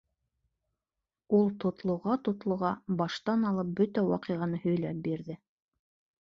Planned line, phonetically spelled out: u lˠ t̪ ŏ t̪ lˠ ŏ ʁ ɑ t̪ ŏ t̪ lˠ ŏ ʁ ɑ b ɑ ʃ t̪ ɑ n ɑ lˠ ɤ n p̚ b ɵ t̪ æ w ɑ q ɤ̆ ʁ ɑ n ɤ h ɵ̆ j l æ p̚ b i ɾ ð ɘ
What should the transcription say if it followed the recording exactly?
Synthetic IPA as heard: u lˠ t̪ ŏ t̪ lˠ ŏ ʁ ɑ t̪ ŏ t̪ lˠ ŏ ʁ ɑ b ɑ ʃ t̪ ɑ n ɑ lˠ ɤ p̚ b ɵ t̪ æ w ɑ q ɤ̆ ʁ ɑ n ɤ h ɵ̆ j l æ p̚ b i ɾ ð ɘ